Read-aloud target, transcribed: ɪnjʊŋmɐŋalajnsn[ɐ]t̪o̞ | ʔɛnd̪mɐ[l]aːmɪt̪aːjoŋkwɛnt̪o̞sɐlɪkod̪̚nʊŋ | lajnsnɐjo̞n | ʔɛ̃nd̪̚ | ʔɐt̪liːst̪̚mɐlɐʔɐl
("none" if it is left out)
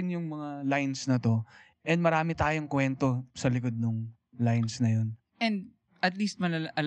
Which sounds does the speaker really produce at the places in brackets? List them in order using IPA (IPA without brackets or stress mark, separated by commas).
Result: ɐ, ɾ